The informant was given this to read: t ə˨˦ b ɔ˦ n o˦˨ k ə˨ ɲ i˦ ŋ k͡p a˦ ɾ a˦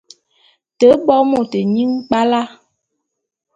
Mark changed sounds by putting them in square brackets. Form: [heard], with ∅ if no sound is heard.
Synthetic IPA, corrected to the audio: t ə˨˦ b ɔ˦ [m] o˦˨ [t] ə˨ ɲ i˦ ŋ k͡p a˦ [l] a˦